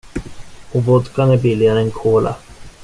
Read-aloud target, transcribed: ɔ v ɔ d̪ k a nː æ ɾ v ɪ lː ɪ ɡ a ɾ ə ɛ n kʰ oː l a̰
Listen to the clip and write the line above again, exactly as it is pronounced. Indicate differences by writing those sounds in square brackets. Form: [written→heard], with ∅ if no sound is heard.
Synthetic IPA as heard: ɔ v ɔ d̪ k a [nː→n] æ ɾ [v→b] ɪ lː ɪ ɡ a ɾ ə ɛ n kʰ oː l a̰